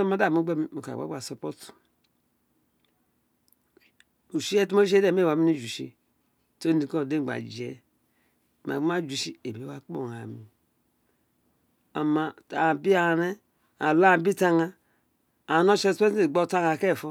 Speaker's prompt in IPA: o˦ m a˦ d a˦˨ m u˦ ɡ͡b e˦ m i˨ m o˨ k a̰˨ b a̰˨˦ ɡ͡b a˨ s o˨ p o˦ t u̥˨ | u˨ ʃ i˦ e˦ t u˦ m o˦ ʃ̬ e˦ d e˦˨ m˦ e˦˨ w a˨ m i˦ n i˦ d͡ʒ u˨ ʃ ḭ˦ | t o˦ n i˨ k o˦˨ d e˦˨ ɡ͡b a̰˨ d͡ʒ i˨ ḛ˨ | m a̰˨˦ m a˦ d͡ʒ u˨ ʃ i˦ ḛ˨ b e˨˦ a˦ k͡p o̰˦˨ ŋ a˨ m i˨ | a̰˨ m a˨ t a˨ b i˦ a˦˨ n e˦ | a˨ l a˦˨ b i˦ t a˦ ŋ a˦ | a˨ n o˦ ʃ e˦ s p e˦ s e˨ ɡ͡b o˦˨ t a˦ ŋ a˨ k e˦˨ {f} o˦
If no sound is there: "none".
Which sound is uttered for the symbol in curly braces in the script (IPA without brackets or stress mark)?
f